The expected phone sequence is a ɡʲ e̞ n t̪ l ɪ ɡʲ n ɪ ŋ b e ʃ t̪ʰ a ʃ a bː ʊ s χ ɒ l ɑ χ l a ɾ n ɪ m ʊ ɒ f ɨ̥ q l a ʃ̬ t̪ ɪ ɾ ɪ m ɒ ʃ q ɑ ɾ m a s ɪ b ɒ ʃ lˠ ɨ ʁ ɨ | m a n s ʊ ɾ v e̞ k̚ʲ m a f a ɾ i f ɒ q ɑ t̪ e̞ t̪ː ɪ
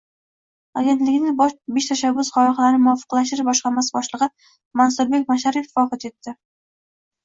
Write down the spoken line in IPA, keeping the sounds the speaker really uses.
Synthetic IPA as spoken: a ɡʲ e̞ n t̪ l ɪ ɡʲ n ɪ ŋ b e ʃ t̪ʰ a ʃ a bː ʊ s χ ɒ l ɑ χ l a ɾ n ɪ m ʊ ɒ f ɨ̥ q l a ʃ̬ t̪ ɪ ɾ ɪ b ɒ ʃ q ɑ ɾ m a s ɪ b ɒ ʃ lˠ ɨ ʁ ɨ | m a n s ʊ ɾ b e̞ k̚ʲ m a ʃ a ɾ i f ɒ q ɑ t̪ e̞ t̪ː ɪ